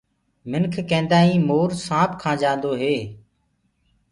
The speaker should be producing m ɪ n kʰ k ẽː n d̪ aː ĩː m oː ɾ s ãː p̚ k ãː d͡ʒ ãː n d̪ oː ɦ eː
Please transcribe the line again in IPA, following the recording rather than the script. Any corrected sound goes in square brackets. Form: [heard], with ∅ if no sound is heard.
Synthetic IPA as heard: m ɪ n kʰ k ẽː n d̪ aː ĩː m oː ɾ s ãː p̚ [kʰ] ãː d͡ʒ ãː n d̪ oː ɦ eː